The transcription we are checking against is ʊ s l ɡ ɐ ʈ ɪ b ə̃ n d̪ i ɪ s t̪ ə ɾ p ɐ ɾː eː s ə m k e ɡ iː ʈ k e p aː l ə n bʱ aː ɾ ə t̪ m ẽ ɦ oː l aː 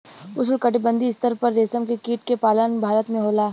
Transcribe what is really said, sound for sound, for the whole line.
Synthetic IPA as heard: ʊ s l k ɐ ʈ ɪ b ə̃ n d̪ i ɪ s t̪ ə ɾ p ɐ ɾː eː s ə m k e k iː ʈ k e p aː l ə n bʱ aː ɾ ə t̪ m ẽ ɦ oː l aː